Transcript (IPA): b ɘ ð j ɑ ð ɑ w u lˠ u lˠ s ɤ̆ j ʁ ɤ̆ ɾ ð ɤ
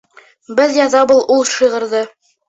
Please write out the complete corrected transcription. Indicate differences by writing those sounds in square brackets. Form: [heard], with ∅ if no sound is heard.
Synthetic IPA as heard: b ɘ ð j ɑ ð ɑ [b] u lˠ u lˠ [ʃ] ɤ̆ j ʁ ɤ̆ ɾ ð ɤ